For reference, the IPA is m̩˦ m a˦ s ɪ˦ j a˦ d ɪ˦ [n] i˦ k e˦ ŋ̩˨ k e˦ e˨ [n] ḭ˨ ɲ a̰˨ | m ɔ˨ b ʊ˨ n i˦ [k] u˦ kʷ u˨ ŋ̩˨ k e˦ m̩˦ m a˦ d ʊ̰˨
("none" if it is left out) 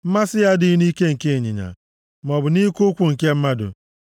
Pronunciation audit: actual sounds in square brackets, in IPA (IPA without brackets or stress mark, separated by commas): n, ɲ, k